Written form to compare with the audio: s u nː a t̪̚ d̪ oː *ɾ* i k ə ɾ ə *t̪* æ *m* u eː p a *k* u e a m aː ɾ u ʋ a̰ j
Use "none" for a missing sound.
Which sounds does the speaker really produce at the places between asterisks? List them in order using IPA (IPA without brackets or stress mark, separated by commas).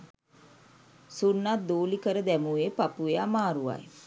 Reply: l, d̪, m, p